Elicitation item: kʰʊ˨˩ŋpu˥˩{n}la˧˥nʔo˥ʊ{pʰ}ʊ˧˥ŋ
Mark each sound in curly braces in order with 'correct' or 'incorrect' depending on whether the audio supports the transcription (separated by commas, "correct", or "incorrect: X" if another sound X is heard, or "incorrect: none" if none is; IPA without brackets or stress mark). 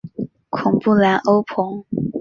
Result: incorrect: none, correct